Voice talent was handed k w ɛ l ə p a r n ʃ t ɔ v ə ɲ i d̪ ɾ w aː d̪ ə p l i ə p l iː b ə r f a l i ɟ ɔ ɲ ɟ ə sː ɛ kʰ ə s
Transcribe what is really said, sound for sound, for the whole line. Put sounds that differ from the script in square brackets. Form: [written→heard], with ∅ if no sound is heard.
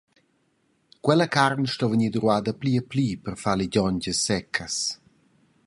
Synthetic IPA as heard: k w ɛ l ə [p→k] a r n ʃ t ɔ v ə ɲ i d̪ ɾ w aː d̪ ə p l i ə p l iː [b→p] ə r f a l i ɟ ɔ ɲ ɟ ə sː ɛ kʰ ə s